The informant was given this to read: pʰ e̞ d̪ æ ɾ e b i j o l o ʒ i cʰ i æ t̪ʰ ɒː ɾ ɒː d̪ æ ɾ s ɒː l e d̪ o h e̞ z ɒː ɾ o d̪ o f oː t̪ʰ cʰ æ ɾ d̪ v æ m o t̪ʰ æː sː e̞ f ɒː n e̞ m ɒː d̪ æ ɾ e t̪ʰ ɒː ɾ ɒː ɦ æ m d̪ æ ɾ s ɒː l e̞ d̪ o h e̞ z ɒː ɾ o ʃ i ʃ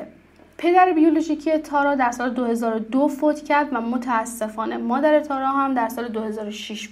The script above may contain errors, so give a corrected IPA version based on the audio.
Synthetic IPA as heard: pʰ e̞ d̪ æ ɾ e b i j o l o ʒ i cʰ i e t̪ʰ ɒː ɾ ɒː d̪ æ ɾ s ɒː l e d̪ o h e̞ z ɒː ɾ o d̪ o f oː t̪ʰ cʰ æ ɾ d̪ v æ m o t̪ʰ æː sː e̞ f ɒː n e̞ m ɒː d̪ æ ɾ e t̪ʰ ɒː ɾ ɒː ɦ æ m d̪ æ ɾ s ɒː l e̞ d̪ o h e̞ z ɒː ɾ o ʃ i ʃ